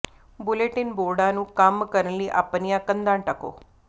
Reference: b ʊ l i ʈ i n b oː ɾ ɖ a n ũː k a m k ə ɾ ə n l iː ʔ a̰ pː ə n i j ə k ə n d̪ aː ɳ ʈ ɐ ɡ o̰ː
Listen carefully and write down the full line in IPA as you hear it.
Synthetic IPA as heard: b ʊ l e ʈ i n b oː ɾ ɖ a n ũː k a m k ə ɾ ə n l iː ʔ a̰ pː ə n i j a k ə n d̪ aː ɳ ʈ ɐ k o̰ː